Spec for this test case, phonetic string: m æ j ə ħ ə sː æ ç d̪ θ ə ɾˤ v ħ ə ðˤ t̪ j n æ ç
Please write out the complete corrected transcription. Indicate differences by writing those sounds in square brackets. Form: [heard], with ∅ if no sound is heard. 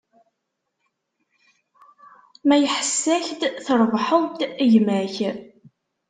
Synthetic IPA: m æ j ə ħ ə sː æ ç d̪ θ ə ɾˤ v ħ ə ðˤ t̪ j [m] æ ç